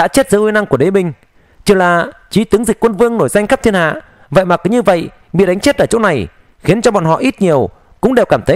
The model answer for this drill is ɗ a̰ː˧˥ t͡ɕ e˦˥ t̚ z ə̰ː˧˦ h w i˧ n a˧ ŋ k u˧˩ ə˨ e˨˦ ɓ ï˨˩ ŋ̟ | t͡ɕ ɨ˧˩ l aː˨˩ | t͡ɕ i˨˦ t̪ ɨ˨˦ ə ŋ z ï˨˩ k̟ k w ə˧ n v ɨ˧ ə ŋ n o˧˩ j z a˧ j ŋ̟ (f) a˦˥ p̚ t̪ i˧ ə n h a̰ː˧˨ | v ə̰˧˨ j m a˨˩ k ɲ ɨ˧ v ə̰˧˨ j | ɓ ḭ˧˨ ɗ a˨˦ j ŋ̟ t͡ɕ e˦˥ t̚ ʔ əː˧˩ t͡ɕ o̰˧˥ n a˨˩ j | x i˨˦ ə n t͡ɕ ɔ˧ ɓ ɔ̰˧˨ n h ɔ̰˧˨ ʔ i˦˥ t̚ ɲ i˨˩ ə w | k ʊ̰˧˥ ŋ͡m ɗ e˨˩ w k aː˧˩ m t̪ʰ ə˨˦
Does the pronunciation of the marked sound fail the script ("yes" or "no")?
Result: yes